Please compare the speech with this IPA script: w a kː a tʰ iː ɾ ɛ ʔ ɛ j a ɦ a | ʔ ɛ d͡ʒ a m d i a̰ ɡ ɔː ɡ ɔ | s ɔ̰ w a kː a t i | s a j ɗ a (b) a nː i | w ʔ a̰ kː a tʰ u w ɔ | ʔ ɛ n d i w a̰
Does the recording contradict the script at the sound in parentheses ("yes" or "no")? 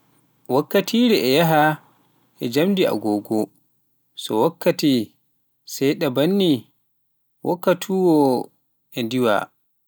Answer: no